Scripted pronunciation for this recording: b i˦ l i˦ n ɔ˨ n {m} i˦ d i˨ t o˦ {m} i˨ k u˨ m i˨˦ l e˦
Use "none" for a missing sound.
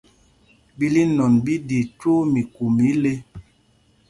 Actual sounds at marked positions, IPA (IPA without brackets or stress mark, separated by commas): b, m